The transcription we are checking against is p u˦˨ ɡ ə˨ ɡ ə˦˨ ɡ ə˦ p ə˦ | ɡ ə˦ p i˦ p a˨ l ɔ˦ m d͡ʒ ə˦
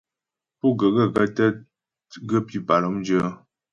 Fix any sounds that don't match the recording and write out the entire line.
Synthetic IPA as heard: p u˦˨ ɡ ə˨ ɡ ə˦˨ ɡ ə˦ t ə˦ | ɡ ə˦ p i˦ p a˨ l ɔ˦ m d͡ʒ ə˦